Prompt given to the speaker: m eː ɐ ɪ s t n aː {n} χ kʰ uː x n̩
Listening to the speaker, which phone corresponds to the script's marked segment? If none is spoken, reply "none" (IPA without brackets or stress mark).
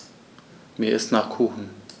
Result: none